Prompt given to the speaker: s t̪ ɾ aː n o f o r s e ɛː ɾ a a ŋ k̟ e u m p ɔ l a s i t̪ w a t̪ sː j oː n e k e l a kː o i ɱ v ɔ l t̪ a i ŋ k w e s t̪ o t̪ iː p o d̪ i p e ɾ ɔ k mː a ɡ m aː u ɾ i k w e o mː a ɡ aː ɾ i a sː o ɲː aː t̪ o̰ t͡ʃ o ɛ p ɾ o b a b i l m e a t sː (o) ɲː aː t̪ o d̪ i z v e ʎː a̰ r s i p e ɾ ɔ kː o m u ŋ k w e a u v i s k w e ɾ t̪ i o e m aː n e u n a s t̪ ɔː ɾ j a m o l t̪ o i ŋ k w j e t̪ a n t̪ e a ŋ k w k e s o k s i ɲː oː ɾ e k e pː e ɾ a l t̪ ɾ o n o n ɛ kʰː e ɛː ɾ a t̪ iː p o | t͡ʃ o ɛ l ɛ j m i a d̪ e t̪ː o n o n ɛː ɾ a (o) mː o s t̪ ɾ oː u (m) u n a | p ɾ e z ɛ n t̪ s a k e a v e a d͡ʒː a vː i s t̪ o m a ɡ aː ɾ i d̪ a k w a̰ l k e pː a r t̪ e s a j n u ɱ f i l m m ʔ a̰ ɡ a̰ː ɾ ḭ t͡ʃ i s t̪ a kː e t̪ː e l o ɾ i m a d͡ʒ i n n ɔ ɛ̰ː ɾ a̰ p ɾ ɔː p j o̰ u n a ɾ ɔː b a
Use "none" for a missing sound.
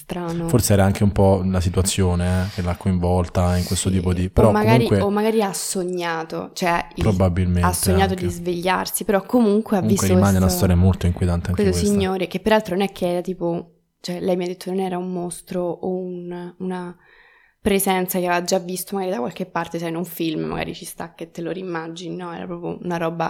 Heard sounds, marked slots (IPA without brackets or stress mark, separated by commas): o, u, n